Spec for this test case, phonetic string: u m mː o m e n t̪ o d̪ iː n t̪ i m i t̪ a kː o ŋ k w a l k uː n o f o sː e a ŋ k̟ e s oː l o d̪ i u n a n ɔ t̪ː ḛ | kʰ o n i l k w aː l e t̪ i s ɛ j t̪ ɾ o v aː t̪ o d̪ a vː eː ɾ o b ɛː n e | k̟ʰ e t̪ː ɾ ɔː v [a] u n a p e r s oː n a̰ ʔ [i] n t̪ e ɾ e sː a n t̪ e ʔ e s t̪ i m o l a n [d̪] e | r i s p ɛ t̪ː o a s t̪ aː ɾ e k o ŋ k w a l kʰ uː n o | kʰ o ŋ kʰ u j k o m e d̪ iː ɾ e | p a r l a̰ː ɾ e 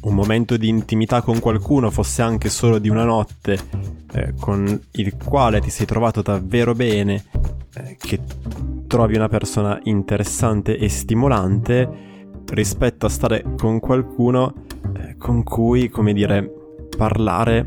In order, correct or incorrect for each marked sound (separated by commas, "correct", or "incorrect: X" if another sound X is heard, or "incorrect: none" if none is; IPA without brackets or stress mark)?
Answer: incorrect: i, correct, incorrect: t̪